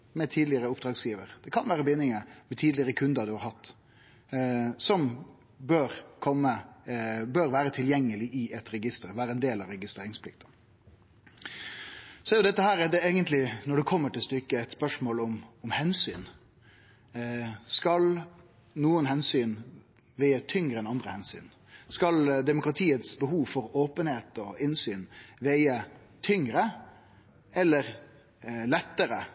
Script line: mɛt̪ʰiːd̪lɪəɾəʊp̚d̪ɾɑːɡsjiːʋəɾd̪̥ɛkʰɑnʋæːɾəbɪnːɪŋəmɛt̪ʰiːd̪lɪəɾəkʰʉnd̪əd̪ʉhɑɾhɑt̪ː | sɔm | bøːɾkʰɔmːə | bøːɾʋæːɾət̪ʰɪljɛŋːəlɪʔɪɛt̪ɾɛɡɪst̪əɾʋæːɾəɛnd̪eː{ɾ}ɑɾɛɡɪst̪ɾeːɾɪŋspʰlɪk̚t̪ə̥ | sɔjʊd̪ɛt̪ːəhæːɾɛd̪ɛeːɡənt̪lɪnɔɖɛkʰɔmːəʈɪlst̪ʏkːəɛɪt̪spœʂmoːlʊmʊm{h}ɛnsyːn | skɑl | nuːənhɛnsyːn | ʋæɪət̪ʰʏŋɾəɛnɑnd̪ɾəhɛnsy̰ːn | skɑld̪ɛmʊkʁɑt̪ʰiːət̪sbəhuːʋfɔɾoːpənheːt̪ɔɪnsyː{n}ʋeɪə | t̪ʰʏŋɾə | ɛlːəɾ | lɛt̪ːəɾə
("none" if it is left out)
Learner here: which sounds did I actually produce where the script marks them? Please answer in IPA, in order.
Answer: l, h, n

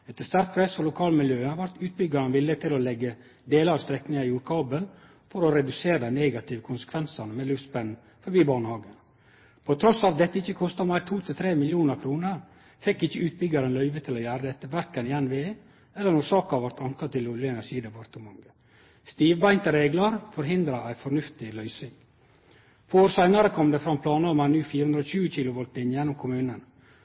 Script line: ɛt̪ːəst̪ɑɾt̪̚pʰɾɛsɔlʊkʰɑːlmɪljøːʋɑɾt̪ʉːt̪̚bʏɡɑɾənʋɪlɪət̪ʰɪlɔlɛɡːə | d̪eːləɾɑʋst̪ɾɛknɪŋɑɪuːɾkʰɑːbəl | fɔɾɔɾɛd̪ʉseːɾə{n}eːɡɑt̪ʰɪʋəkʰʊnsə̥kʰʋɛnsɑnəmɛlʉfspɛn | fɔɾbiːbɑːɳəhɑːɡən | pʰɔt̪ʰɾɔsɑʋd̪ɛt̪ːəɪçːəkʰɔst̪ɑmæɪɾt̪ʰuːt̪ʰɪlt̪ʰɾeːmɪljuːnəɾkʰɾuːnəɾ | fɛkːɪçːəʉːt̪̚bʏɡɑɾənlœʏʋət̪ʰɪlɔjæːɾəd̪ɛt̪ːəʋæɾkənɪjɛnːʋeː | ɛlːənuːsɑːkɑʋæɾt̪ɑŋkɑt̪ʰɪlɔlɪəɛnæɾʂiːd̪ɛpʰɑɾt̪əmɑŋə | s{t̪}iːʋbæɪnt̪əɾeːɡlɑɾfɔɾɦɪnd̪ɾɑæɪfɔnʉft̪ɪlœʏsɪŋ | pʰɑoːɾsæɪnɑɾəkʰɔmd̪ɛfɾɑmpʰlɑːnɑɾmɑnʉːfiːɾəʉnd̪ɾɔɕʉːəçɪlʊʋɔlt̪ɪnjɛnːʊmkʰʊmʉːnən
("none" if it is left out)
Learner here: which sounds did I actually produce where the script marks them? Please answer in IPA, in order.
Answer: n, t̪

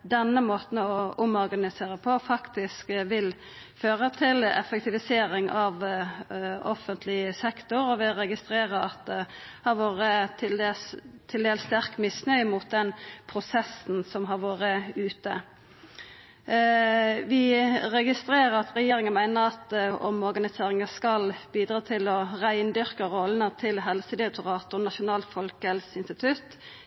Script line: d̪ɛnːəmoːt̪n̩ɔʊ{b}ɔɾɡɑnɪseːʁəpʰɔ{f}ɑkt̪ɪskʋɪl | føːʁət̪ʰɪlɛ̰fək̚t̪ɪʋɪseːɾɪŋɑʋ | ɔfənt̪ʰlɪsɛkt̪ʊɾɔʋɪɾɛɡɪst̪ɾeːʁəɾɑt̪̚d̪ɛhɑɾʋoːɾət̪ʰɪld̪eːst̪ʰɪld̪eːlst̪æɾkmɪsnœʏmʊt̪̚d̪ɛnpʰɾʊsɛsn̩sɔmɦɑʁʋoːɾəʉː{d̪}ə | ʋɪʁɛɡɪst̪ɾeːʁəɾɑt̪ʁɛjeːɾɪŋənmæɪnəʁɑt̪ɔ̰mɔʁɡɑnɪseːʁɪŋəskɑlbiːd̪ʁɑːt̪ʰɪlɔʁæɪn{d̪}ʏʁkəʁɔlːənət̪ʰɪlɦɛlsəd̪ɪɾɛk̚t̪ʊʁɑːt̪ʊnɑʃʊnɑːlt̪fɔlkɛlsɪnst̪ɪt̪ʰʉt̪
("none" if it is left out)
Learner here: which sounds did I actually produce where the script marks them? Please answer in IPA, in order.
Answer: m, f, t̪, d̪

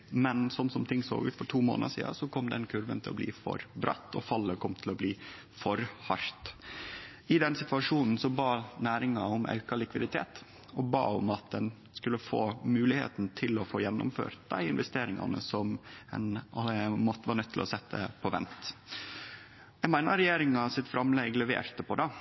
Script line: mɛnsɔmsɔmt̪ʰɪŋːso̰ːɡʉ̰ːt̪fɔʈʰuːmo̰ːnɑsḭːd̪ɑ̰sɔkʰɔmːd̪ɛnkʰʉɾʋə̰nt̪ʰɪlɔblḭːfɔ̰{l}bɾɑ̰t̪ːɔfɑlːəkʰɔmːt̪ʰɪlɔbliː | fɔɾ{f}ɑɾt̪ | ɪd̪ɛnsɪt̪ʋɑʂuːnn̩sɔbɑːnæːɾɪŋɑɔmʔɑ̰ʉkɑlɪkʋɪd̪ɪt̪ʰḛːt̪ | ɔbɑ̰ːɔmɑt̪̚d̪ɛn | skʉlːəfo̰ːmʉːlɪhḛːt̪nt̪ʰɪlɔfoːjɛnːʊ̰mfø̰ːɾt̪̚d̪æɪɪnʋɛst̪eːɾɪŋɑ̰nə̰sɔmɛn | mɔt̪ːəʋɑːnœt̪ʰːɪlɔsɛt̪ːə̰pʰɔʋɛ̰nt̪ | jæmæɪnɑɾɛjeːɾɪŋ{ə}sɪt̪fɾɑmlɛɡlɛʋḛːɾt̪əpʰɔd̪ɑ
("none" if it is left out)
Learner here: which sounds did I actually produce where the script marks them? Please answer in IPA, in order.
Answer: ɾ, h, ɑ

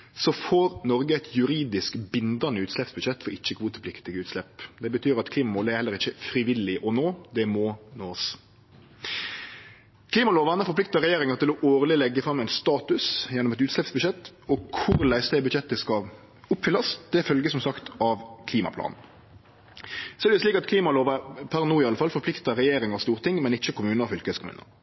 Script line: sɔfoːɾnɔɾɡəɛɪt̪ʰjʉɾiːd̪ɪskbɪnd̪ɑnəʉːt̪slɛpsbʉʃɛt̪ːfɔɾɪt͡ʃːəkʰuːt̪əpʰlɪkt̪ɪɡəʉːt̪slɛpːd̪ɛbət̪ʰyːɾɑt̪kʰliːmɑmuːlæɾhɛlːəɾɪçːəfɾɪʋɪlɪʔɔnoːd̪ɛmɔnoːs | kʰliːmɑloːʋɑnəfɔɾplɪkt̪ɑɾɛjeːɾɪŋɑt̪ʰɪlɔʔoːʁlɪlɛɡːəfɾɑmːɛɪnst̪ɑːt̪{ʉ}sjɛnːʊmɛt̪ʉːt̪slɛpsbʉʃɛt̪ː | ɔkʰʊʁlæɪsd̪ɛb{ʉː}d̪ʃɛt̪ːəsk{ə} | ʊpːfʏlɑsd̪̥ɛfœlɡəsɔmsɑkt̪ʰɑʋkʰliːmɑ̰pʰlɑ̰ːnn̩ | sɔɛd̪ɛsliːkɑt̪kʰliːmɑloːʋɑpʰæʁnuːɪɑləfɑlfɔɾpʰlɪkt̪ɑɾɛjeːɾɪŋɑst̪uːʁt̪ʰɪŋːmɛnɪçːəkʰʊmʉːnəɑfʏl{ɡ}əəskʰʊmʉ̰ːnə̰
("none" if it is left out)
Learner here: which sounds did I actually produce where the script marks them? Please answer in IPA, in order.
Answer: ʉ, ʉ, ɑ, k

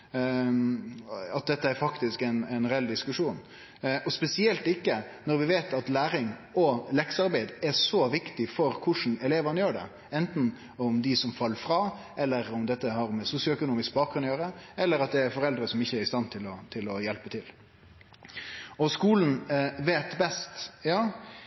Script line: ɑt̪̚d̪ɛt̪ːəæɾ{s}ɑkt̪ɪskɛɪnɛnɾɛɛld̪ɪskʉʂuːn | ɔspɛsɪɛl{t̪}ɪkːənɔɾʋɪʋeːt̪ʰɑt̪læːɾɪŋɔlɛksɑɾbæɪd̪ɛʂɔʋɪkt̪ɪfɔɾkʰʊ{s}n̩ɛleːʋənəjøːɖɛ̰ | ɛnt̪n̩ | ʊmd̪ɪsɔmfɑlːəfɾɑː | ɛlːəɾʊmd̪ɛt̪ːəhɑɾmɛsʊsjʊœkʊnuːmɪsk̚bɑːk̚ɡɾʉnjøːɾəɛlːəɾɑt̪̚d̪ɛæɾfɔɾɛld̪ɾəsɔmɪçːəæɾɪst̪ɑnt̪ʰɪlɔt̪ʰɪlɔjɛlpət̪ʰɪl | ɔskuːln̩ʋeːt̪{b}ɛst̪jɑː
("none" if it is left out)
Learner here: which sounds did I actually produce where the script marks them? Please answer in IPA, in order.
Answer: f, t̪, ʂ, b

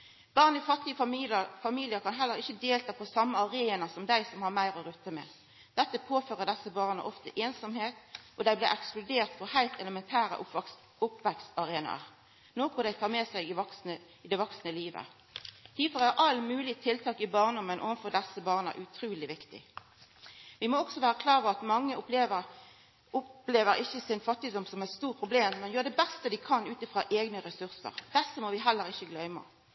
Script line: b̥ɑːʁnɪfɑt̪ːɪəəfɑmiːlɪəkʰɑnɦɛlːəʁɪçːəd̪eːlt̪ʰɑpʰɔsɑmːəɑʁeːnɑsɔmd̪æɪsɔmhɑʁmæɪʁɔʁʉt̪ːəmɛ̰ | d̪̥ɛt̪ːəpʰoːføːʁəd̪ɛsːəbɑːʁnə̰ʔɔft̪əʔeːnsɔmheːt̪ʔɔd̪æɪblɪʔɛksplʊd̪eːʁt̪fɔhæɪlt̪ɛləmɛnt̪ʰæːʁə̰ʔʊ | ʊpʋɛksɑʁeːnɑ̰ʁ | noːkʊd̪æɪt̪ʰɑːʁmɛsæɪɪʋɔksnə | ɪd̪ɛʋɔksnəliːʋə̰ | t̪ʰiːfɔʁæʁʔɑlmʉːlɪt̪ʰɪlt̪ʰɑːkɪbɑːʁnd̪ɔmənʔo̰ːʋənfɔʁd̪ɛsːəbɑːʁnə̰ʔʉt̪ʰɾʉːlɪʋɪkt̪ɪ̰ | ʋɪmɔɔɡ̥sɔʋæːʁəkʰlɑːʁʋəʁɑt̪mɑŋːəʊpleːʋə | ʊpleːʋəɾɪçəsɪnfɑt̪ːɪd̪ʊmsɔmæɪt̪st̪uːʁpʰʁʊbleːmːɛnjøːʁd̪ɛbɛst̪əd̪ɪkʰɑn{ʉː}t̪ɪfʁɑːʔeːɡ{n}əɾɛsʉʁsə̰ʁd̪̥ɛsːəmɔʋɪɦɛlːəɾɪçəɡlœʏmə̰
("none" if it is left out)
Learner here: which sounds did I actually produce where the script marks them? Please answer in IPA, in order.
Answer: ʉː, n

